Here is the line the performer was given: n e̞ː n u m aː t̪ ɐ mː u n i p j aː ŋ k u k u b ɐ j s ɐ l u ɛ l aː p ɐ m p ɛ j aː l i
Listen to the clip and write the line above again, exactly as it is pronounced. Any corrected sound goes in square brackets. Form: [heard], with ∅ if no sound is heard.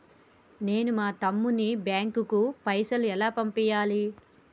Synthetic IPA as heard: n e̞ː n u m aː t̪ ɐ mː u n i [b] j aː ŋ k u k u [p] ɐ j s ɐ l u ɛ l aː p ɐ m p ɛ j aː l i